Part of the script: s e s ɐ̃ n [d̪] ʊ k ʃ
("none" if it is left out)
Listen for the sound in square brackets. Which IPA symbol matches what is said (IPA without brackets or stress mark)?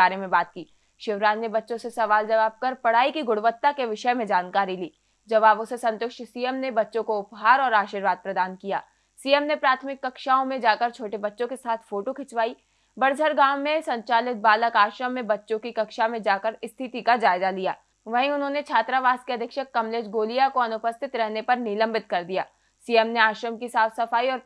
t̪